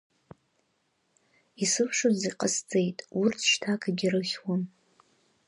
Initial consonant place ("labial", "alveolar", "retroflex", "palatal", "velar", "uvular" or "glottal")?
alveolar